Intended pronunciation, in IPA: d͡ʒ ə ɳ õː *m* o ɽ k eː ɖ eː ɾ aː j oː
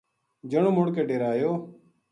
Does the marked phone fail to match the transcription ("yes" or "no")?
no